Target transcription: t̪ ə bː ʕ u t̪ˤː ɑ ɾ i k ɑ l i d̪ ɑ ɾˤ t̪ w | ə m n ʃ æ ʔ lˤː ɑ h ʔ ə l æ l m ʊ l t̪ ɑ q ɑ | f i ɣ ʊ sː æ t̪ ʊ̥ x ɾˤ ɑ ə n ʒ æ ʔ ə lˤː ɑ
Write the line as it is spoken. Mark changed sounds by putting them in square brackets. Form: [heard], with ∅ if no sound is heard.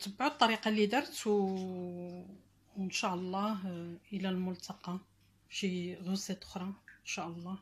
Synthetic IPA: t̪ ə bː ʕ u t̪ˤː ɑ ɾ i [q] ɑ l i d̪ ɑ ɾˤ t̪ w | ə [∅] n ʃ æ ʔ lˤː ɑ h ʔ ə l æ l m ʊ l t̪ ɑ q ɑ | [ʃ] i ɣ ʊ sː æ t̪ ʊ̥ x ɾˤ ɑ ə n [ʃ] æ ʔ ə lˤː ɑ